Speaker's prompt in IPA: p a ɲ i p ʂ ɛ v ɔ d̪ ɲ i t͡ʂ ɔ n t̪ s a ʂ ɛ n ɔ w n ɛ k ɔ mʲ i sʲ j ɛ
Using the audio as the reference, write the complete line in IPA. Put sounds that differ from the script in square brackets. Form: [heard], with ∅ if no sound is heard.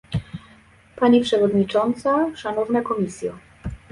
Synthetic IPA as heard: p a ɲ i p ʂ ɛ v ɔ d̪ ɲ i t͡ʂ ɔ n t̪ s a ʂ [a] n ɔ [v] n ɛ k ɔ mʲ i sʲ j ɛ